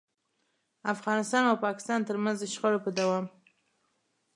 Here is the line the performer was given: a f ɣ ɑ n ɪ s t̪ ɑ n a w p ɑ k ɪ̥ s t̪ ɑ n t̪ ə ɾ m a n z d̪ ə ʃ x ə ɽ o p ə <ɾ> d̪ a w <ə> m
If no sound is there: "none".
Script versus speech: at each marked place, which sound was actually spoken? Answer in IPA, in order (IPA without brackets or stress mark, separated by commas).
none, ɑ